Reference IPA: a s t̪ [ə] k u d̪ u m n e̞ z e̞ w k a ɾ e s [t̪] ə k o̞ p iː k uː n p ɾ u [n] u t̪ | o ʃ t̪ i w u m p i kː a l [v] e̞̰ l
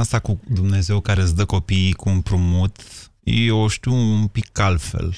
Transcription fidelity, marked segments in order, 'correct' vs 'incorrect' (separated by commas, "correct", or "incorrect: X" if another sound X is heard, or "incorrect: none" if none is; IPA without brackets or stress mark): incorrect: a, incorrect: d̪, incorrect: m, incorrect: f